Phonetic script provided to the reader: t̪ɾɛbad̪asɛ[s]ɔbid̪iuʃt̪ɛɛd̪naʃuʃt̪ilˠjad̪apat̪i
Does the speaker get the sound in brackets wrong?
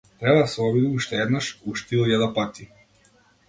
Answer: yes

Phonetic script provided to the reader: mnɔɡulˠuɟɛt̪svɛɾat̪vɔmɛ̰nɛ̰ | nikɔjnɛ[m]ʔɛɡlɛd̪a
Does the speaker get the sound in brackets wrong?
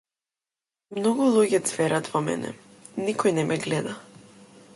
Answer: no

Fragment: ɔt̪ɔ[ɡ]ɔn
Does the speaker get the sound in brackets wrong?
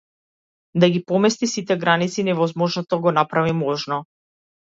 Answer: no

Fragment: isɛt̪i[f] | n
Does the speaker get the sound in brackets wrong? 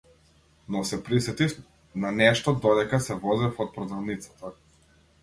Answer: no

